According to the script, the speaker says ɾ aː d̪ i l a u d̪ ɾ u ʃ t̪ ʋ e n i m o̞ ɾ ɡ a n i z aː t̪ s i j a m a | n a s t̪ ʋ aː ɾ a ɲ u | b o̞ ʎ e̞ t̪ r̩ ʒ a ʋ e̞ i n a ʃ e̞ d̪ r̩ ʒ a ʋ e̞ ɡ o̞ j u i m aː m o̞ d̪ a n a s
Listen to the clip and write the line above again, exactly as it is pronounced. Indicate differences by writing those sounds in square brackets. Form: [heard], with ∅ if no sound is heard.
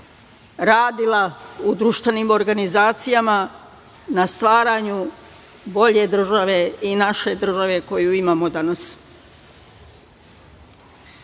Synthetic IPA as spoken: ɾ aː d̪ i l a u d̪ ɾ u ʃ t̪ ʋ e n i m o̞ ɾ ɡ a n i z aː t̪ s i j a m a | n a s t̪ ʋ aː ɾ a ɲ u | b o̞ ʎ e̞ [d̪] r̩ ʒ a ʋ e̞ i n a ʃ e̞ d̪ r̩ ʒ a ʋ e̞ [k] o̞ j u i m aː m o̞ d̪ a n a s